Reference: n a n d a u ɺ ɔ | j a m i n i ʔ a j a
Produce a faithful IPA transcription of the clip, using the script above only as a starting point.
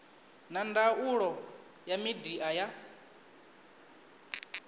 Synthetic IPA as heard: n a n d a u ɺ ɔ | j a m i d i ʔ a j a